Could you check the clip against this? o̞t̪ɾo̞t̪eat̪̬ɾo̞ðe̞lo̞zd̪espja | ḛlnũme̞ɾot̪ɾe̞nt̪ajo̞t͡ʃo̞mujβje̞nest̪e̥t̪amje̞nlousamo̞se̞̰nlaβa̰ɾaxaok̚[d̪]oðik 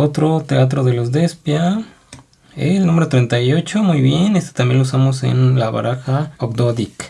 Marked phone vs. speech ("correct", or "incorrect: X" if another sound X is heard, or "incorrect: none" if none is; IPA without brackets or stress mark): correct